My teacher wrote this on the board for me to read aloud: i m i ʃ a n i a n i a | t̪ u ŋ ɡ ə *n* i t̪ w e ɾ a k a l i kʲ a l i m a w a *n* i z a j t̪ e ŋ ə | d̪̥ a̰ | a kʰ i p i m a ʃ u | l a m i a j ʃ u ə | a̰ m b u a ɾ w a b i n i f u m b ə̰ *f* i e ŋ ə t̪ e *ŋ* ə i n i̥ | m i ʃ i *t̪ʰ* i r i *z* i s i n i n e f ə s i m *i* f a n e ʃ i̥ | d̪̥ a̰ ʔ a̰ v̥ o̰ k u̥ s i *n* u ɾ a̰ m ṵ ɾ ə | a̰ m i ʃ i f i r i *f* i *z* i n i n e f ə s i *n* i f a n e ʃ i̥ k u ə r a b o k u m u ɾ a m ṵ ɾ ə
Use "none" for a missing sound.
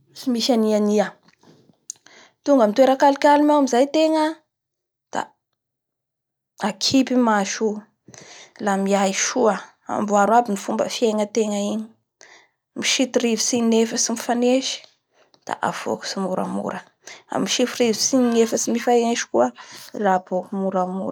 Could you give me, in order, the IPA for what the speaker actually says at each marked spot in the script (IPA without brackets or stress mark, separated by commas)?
m, m, f, ŋ, t̪, v, i, m, v, s, m